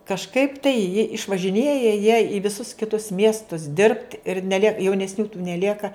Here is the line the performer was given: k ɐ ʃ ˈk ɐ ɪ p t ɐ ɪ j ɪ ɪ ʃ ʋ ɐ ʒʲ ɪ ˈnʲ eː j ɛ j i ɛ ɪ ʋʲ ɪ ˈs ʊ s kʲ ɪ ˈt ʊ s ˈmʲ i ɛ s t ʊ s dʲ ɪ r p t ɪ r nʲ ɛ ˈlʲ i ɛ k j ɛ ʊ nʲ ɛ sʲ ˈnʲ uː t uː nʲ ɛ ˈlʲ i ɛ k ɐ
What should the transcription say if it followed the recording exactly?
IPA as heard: k ɐ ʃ ˈk ɐ ɪ p t ɐ ɪ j ɪ ɪ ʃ ʋ ɐ ʒʲ ɪ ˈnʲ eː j ɛ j i ɛ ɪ ʋʲ ɪ ˈs ʊ s kʲ ɪ ˈt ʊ s ˈmʲ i ɛ s t ʊ s dʲ ɪ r p t ɪ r nʲ ɛ ˈlʲ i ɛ k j ɛ ʊ nʲ ɛ sʲ ˈnʲ uː t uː nʲ ɛ ˈlʲ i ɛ k ɐ